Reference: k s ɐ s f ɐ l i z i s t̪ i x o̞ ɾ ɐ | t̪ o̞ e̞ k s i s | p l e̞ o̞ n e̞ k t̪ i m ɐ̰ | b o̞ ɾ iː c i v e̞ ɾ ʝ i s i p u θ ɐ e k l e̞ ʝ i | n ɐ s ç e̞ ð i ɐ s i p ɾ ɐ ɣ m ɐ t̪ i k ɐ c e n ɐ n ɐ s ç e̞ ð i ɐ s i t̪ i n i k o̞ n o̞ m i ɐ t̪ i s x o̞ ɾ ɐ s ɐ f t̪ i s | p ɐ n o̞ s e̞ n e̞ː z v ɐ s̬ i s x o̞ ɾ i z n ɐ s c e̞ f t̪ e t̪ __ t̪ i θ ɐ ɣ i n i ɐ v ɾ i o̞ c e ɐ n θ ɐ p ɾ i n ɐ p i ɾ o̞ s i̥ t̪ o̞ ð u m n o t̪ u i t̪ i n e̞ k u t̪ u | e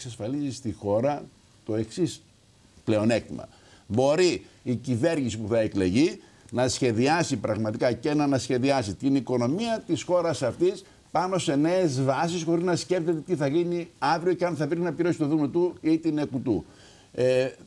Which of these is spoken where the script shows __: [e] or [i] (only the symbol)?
e